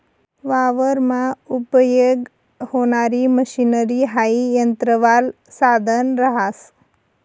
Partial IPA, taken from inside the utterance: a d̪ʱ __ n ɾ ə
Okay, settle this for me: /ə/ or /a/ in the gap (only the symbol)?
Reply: ə